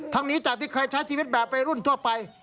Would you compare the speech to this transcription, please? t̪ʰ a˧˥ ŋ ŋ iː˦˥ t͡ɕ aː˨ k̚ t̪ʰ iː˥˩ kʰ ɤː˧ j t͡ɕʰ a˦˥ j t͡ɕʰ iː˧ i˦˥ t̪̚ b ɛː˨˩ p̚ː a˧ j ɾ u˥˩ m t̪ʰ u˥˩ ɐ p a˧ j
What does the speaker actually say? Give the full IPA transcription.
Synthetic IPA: t̪ʰ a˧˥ ŋ n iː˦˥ t͡ɕ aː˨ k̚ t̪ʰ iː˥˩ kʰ ɤː˧ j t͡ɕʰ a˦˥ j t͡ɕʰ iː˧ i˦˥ t̪̚ b ɛː˨˩ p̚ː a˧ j ɾ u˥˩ n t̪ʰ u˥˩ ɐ p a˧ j